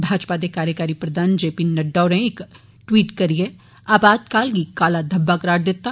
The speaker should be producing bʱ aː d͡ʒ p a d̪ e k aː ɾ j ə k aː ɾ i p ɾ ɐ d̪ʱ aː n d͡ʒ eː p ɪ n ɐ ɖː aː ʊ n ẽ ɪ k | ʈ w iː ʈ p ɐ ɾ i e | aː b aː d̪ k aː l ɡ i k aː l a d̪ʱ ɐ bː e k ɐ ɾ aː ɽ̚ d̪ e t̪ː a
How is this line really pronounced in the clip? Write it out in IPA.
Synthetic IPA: bʱ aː d͡ʒ p a d̪ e k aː ɾ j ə k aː ɾ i p ɾ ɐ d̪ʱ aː n d͡ʒ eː p i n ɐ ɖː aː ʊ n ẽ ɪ k | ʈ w iː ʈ k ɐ ɾ i e | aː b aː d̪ k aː l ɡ i k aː l a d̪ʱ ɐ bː a k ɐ ɾ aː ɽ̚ d̪ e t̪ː a